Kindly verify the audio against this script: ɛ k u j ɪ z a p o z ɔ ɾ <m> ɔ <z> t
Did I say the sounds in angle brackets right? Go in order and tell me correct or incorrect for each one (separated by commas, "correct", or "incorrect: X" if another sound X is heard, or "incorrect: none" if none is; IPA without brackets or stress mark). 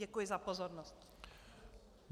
incorrect: n, incorrect: s